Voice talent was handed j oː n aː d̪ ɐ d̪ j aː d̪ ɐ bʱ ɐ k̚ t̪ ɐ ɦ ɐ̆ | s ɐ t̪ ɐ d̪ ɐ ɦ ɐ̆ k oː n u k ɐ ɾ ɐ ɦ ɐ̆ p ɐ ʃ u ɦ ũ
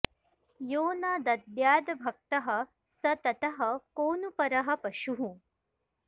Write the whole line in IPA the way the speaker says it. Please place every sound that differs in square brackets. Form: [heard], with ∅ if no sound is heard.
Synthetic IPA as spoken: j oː n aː d̪ ɐ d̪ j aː d̪ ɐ bʱ ɐ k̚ t̪ ɐ ɦ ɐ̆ | s ɐ t̪ ɐ [t̪] ɐ ɦ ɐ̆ k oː n u [p] ɐ ɾ ɐ ɦ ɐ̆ p ɐ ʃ u ɦ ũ

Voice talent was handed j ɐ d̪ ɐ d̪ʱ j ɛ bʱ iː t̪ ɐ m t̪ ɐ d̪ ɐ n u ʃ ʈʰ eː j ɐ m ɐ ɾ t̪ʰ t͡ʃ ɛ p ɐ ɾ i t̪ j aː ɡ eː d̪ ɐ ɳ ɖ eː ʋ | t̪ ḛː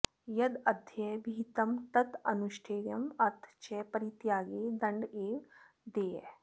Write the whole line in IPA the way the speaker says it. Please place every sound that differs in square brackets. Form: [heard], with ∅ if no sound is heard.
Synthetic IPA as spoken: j ɐ d̪ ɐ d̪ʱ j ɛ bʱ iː t̪ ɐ m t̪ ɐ [t̪] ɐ n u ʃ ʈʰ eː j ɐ m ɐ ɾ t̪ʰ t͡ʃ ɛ p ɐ ɾ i t̪ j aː ɡ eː d̪ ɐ ɳ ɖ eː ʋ | [d̪] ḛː

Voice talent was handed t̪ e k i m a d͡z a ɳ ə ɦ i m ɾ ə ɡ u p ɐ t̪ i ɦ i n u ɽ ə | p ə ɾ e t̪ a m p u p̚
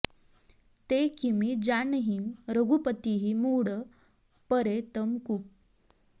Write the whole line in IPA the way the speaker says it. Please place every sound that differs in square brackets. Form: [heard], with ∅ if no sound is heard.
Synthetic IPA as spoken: t̪ e k i m [i] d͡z a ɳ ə ɦ i m ɾ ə ɡ u p [ə] t̪ i ɦ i [m] u ɽ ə | p ə ɾ e t̪ [ə] m [k] u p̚

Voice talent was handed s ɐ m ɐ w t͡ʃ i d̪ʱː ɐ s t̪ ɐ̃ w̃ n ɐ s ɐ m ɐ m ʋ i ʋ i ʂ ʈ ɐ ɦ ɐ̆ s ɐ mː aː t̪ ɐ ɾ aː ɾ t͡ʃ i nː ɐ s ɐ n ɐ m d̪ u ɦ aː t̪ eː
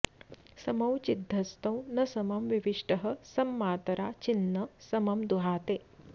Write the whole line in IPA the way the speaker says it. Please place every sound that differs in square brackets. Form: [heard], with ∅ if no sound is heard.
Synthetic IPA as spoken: s ɐ m ɐ w t͡ʃ i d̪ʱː ɐ s t̪ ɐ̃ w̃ n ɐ s ɐ m ɐ m ʋ i ʋ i ʂ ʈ ɐ ɦ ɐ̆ s ɐ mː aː t̪ ɐ ɾ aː [∅] t͡ʃ i nː ɐ s ɐ [m] ɐ m d̪ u ɦ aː t̪ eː

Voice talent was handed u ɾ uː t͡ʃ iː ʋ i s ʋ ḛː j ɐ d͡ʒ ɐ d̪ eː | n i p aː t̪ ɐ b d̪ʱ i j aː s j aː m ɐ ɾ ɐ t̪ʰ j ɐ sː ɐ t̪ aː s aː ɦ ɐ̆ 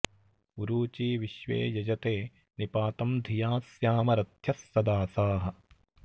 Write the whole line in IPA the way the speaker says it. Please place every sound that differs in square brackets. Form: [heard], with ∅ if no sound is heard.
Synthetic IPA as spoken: u ɾ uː t͡ʃ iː ʋ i [ʃ] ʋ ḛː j ɐ d͡ʒ ɐ [t̪] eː | n i p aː t̪ ɐ [m] d̪ʱ i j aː s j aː m ɐ ɾ ɐ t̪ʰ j ɐ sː ɐ [d̪] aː s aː ɦ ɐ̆

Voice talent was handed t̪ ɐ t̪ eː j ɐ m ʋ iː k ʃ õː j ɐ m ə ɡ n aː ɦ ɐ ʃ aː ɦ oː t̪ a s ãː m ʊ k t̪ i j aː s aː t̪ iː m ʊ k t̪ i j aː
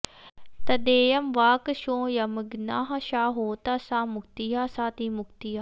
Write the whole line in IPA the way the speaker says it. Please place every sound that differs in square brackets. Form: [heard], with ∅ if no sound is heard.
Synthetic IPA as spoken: t̪ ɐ [d̪] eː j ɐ m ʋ [aː] k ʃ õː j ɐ m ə ɡ n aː ɦ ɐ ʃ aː ɦ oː t̪ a s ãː m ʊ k t̪ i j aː s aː t̪ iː m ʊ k t̪ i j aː

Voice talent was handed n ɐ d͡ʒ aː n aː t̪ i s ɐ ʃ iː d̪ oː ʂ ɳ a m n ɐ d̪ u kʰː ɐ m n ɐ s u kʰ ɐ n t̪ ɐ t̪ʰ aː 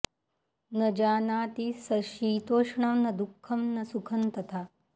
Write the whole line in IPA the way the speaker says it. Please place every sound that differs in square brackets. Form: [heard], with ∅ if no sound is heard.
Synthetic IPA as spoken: n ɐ d͡ʒ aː n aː t̪ i s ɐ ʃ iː [t̪] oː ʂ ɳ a m n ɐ d̪ u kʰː ɐ m n ɐ s u kʰ ɐ n t̪ ɐ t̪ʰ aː

